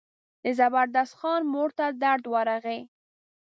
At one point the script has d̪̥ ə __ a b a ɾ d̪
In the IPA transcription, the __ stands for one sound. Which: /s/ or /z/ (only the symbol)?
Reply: z